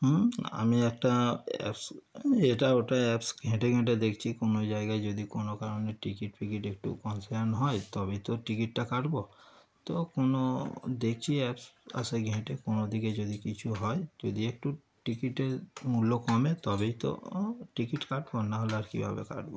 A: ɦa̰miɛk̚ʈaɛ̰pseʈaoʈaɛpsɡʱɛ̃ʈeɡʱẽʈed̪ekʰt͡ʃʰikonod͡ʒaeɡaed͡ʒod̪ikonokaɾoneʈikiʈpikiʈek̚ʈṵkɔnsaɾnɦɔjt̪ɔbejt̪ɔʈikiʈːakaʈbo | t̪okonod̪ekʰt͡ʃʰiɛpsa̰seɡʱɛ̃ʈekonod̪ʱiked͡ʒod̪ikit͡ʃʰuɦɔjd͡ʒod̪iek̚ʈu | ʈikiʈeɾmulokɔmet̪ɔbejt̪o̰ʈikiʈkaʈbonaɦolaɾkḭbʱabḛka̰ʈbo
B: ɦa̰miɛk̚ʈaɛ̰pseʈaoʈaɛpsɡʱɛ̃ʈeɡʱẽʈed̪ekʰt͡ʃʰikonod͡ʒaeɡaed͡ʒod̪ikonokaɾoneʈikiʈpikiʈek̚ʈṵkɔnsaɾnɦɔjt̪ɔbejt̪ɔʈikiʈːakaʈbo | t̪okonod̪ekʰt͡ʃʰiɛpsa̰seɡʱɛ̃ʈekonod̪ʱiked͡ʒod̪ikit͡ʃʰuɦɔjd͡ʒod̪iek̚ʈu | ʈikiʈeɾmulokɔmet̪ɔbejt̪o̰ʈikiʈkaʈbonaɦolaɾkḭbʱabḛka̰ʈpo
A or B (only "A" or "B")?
A